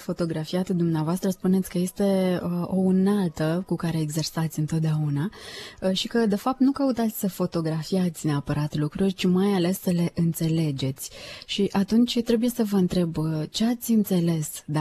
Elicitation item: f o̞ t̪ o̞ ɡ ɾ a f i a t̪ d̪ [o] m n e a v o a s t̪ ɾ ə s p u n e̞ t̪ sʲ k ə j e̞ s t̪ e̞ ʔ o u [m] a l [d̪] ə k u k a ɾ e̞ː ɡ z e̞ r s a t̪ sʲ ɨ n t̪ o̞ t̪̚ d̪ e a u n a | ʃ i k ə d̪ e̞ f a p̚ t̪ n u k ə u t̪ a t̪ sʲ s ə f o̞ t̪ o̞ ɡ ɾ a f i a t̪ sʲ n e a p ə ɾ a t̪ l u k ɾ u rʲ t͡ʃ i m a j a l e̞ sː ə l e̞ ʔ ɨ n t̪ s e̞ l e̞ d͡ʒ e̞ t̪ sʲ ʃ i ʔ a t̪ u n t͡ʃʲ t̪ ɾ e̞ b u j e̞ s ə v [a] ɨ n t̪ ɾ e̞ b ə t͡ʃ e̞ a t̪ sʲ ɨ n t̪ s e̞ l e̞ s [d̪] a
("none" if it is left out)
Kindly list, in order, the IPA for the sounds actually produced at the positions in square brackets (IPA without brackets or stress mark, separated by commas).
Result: u, n, t̪, ə, d̪